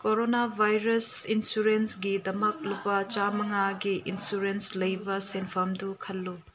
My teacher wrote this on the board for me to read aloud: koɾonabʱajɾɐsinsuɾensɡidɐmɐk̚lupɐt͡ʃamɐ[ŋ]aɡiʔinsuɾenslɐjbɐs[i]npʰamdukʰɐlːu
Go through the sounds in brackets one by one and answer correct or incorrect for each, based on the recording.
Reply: correct, incorrect

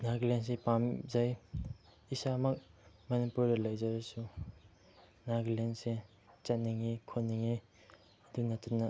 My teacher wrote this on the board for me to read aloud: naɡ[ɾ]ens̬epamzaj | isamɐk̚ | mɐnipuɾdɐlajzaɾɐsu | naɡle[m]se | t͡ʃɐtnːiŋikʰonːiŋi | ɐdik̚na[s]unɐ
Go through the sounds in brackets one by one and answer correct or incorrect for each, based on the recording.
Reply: incorrect, incorrect, incorrect

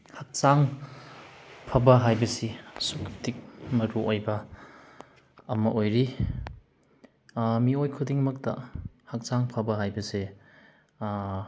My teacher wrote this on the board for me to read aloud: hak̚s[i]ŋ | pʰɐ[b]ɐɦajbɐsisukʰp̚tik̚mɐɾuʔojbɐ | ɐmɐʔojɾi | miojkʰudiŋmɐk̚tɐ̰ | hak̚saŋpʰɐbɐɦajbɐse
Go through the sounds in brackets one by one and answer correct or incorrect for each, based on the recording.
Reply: incorrect, correct

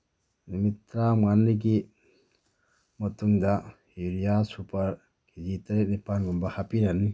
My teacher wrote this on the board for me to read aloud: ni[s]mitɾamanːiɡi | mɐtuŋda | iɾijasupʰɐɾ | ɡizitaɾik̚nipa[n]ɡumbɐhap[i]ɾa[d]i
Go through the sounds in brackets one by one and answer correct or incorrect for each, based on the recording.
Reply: incorrect, correct, correct, incorrect

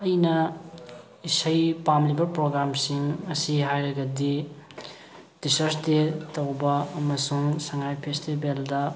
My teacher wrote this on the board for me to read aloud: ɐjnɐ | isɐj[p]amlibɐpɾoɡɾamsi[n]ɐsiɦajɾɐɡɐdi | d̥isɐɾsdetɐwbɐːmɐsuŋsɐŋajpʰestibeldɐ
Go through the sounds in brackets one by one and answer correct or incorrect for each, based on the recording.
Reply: correct, incorrect

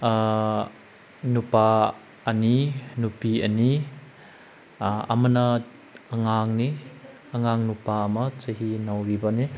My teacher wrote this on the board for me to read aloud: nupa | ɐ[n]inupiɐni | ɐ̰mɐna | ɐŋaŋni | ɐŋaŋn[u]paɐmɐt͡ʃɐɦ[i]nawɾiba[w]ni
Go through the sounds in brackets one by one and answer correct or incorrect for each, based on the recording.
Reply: correct, correct, correct, incorrect

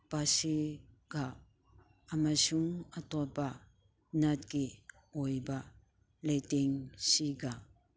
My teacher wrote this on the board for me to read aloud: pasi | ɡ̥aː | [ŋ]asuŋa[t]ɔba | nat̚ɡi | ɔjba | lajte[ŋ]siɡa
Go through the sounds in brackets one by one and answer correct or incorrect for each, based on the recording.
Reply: incorrect, correct, correct

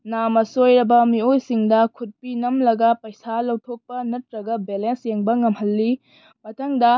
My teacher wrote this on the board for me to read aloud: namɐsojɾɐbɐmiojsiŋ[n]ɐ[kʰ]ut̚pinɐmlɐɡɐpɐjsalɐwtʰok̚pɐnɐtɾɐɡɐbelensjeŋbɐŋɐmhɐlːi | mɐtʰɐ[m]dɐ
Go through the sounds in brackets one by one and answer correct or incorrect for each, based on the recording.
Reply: incorrect, correct, incorrect

